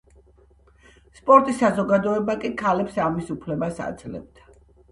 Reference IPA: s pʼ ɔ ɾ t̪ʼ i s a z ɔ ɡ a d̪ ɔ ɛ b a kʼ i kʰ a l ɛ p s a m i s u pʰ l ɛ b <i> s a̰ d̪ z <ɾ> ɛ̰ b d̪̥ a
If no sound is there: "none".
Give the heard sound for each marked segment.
a, l

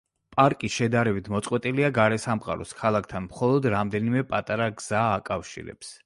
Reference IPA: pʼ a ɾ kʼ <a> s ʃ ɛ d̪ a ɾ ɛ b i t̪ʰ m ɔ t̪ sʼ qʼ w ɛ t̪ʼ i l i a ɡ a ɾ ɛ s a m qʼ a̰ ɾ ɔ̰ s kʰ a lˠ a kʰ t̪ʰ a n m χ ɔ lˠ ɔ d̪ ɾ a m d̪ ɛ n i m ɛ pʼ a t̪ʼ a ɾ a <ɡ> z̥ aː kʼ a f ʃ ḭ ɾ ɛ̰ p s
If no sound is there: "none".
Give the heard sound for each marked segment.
i, ɡ

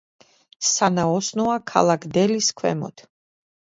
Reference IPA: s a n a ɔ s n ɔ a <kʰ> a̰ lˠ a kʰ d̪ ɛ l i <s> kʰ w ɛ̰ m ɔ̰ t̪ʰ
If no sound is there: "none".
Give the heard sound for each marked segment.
kʰ, s

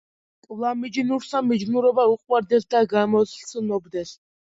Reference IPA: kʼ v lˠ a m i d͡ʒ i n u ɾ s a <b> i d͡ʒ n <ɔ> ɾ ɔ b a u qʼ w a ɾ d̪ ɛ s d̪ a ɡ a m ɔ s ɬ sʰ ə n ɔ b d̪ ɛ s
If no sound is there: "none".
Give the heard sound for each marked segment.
m, u

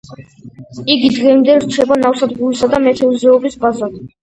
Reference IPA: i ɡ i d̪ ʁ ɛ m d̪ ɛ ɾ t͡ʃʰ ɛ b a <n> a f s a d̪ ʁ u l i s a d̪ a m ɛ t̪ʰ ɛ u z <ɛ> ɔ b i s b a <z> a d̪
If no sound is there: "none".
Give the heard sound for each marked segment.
n, ɛ, z

